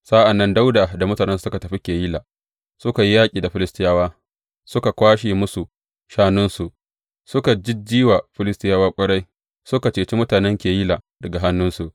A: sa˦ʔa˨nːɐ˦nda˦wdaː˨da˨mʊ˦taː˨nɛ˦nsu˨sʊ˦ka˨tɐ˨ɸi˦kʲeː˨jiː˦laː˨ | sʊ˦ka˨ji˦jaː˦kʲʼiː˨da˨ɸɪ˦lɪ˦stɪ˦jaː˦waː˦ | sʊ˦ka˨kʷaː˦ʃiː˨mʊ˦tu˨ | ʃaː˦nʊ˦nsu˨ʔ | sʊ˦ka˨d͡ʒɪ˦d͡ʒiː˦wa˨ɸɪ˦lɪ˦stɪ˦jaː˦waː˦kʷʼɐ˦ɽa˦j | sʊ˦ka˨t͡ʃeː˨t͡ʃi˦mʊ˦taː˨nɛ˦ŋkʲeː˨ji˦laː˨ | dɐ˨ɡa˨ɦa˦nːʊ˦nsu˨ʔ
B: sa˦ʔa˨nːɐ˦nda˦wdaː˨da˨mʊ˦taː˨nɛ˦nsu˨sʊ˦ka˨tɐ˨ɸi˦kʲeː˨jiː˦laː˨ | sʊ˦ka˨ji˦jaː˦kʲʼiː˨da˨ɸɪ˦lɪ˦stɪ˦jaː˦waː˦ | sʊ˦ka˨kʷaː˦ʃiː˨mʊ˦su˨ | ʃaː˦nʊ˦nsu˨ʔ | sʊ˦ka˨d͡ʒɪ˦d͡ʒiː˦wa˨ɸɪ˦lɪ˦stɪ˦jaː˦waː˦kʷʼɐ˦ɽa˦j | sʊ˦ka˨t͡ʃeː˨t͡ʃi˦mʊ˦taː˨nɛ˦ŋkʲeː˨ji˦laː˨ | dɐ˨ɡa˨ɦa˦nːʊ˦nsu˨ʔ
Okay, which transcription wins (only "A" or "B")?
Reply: B